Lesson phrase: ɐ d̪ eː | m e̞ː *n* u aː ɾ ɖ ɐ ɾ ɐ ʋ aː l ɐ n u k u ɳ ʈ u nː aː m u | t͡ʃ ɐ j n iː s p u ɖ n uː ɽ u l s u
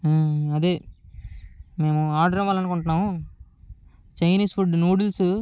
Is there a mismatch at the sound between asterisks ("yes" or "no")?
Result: yes